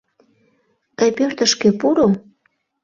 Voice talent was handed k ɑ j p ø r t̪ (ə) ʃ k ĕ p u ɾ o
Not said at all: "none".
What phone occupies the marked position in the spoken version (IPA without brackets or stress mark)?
ə